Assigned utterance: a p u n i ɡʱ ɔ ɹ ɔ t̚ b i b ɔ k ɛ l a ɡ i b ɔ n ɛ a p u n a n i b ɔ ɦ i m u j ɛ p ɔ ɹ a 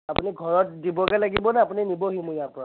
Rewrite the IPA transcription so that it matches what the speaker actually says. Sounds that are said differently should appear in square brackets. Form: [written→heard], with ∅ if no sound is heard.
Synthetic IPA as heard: a p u n i ɡʱ ɔ ɹ ɔ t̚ [b→d] i b ɔ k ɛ l a ɡ i b ɔ n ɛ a p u n [a→i] n i b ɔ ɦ i m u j [ɛ→a] p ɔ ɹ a

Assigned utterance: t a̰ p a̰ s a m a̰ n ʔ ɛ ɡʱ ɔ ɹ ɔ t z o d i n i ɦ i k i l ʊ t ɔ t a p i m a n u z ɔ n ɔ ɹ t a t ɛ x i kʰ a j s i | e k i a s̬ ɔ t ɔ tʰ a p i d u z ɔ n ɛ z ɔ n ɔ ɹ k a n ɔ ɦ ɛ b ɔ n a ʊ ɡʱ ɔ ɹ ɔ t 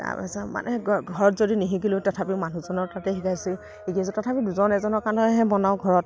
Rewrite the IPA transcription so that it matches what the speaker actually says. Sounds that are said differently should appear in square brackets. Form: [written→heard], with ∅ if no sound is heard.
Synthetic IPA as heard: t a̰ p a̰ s a m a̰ n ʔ ɛ ɡʱ ɔ ɹ ɔ t z o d i n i ɦ i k i l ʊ t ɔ [t→tʰ] a p i m a n u z ɔ n ɔ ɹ t a t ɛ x i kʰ a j s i | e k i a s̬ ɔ t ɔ tʰ a p i d u z ɔ n ɛ z ɔ n ɔ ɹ k a n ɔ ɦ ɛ b ɔ n a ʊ ɡʱ ɔ ɹ ɔ t

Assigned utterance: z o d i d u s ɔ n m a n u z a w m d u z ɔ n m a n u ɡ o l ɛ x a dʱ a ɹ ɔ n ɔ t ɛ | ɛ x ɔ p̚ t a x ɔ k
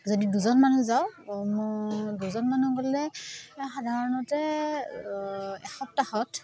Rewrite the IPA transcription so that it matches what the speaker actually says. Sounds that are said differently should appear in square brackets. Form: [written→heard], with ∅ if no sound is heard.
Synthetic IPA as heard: z o d i d u [s→z] ɔ n m a n u z a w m d u z ɔ n m a n u ɡ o l ɛ x a dʱ a ɹ ɔ n ɔ t ɛ | ɛ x ɔ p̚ t a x ɔ [k→t]

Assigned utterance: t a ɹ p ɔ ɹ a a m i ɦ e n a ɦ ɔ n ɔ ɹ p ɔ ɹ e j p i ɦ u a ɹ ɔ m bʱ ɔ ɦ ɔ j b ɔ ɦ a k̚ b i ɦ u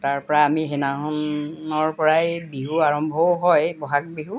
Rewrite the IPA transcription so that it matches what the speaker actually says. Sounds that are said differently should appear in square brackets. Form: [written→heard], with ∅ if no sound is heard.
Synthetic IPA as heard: t a ɹ p ɔ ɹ a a m i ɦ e n a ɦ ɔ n ɔ ɹ p ɔ ɹ [e→a] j [p→b] i ɦ u a ɹ ɔ m bʱ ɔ ɦ ɔ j b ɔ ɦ a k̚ b i ɦ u

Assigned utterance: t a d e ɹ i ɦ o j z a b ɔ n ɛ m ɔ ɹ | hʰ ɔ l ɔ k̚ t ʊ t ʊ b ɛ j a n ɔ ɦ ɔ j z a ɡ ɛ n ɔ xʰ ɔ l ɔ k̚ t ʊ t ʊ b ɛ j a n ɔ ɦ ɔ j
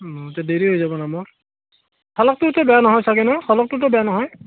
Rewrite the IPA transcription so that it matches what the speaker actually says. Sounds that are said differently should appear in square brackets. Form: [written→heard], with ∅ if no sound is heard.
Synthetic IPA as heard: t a d e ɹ i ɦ o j z a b ɔ n [ɛ→a] m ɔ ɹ | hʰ ɔ l ɔ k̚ t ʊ t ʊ b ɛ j a n ɔ ɦ ɔ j [z→s] a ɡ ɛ n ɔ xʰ ɔ l ɔ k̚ t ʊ t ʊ b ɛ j a n ɔ ɦ ɔ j

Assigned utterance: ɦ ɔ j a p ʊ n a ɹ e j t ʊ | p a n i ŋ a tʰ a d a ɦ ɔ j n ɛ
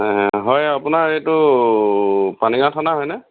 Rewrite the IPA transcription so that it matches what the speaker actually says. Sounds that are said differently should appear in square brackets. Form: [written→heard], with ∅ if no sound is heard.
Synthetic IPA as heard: ɦ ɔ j a p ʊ n a ɹ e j t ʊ | p a n i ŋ a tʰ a [d→n] a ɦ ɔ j n ɛ

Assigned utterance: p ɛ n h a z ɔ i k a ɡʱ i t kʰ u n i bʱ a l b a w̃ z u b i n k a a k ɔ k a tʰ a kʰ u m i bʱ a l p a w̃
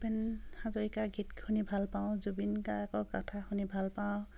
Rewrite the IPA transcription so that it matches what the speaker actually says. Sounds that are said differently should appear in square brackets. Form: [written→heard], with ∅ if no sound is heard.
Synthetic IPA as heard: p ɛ n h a z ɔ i k a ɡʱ i t kʰ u n i bʱ a l [b→p] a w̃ z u b i n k a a k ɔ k a tʰ a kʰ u [m→n] i bʱ a l p a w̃

